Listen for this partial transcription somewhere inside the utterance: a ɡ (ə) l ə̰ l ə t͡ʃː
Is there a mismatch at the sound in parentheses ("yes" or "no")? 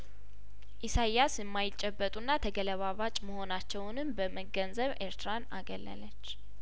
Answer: no